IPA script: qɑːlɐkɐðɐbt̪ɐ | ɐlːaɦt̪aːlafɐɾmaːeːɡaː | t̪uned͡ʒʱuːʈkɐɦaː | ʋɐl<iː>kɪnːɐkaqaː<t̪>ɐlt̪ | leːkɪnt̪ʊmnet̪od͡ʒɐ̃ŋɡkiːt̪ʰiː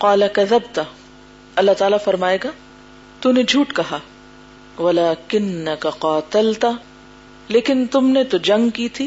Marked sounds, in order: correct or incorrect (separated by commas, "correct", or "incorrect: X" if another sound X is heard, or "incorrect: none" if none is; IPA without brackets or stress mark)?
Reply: incorrect: aː, correct